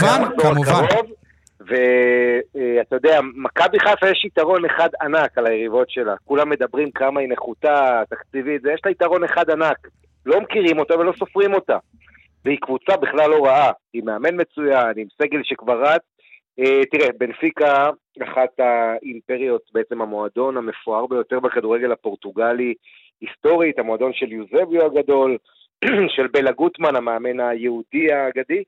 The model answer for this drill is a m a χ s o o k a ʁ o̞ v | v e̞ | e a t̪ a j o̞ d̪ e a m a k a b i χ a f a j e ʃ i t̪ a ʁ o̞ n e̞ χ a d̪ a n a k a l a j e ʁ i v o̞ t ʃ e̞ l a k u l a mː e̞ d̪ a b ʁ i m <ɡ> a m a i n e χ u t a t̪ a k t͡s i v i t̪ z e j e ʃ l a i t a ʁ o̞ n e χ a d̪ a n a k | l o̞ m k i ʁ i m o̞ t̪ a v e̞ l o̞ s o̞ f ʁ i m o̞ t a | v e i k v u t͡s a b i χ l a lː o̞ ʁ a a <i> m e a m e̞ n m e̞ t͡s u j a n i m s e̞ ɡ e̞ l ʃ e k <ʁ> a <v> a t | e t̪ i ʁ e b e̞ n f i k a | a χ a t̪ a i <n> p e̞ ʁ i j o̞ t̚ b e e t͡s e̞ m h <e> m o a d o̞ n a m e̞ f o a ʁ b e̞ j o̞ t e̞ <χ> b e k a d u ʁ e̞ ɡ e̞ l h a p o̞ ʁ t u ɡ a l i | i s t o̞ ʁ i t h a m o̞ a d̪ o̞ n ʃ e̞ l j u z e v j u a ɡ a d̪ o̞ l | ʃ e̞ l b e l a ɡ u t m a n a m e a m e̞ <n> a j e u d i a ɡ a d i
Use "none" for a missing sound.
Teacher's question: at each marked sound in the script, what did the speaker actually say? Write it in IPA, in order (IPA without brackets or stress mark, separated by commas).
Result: k, i, v, ʁ, m, a, ʁ, n